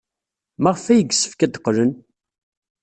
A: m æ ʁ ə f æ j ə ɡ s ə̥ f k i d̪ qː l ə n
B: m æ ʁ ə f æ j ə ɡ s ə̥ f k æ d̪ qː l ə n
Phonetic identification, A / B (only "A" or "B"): B